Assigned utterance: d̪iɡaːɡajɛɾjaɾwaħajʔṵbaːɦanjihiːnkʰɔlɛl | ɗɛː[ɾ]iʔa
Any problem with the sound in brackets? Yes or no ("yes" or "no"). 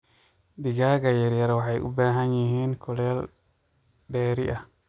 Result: no